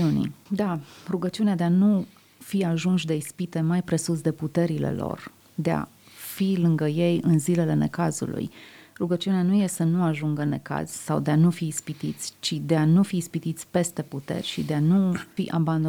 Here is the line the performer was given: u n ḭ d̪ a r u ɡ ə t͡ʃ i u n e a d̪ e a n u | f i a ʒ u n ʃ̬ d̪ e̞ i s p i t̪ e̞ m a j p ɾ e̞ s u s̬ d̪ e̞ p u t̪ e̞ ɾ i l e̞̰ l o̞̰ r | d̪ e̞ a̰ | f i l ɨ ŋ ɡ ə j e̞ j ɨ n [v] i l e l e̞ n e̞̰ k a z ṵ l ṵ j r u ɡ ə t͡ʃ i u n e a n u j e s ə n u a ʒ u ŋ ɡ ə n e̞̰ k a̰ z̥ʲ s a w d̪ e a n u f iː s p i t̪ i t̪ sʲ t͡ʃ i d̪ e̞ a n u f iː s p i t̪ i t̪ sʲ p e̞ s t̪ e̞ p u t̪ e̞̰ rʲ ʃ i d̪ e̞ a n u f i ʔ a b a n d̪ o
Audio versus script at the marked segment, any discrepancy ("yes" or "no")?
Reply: yes